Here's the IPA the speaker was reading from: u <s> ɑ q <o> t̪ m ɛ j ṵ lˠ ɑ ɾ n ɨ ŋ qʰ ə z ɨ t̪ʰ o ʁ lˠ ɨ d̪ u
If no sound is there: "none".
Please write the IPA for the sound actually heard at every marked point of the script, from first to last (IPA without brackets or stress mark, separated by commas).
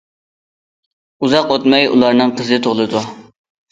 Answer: z, o